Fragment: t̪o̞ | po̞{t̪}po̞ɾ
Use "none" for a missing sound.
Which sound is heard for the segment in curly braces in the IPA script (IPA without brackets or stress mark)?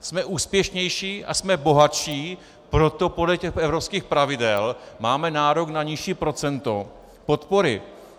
t̪